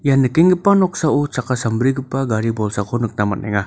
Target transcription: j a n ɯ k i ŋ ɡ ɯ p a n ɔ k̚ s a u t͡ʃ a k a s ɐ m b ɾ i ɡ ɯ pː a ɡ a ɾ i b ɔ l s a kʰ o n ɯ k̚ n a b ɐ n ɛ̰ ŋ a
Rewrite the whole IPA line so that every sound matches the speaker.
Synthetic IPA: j a n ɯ k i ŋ ɡ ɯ p a n ɔ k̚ s a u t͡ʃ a k a s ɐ m b ɾ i ɡ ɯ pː a ɡ a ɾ i b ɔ l s a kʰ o n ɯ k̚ n a m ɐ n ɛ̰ ŋ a